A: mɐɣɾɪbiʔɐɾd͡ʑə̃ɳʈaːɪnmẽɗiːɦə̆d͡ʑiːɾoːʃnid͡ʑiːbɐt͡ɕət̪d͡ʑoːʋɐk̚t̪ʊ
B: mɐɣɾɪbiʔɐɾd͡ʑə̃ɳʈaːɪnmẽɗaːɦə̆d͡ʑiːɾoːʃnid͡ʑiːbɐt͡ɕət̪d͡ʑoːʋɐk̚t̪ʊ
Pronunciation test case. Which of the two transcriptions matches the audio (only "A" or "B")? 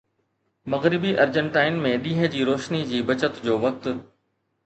A